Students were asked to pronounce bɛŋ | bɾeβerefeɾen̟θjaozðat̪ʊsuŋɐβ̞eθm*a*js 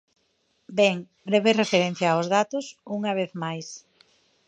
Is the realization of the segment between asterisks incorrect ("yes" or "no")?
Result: no